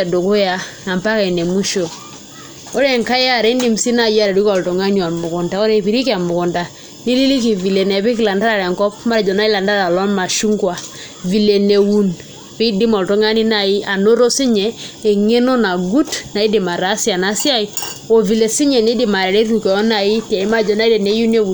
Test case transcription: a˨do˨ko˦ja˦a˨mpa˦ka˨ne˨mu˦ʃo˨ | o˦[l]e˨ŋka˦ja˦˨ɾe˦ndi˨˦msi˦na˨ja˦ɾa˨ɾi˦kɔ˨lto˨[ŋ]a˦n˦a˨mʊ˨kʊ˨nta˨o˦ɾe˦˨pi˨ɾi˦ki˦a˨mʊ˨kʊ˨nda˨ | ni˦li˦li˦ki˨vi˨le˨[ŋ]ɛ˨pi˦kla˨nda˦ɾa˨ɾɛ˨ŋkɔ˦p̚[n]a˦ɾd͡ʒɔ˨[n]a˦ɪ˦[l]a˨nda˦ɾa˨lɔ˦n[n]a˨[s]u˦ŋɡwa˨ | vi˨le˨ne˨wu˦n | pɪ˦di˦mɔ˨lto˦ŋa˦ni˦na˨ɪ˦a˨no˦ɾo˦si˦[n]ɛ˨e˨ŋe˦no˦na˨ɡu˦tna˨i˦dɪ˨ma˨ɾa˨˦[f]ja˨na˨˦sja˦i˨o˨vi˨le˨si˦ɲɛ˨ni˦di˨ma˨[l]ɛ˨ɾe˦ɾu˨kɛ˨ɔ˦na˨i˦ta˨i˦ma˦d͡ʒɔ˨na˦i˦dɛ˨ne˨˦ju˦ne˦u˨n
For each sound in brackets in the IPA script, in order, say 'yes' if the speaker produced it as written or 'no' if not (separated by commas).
no, yes, no, no, yes, yes, no, no, no, no, no